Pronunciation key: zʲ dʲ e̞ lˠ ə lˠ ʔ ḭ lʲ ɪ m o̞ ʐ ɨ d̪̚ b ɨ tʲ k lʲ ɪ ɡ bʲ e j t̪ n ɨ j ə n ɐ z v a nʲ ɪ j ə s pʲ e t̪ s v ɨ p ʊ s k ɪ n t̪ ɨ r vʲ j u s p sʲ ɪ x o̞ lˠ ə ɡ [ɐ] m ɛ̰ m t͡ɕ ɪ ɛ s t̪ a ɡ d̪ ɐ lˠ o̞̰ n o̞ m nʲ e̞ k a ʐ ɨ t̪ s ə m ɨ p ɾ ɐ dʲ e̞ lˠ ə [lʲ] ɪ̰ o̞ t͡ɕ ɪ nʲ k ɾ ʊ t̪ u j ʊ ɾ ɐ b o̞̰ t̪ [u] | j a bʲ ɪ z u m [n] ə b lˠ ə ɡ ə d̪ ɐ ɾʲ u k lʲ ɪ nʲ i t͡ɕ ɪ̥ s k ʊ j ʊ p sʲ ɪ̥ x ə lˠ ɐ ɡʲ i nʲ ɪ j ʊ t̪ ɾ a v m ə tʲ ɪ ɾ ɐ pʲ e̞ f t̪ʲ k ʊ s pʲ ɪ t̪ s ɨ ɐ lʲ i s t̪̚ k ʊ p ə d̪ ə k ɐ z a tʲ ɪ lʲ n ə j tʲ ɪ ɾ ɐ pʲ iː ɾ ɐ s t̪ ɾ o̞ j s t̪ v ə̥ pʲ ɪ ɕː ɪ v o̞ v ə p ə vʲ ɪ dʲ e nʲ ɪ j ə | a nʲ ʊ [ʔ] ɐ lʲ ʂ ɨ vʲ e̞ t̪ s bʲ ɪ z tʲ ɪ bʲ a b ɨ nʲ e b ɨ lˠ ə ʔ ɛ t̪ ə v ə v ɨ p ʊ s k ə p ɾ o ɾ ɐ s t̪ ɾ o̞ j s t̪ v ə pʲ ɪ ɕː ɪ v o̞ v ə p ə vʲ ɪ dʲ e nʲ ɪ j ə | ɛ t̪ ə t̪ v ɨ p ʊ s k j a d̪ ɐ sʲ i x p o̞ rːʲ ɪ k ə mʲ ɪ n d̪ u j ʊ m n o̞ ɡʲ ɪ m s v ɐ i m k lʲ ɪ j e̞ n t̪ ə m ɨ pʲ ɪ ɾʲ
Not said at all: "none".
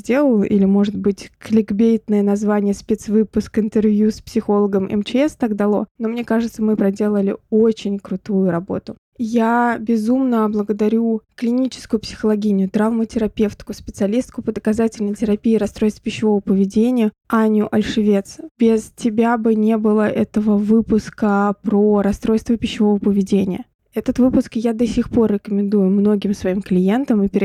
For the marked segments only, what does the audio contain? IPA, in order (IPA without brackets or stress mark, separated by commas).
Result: ə, lʲ, ʊ, n, ʔ